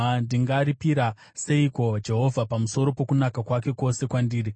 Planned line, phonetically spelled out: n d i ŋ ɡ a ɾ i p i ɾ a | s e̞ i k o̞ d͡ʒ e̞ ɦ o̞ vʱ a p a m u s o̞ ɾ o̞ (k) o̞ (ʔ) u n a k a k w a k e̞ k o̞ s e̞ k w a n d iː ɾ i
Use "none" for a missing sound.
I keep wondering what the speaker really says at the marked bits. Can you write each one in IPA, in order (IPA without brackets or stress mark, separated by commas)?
p, k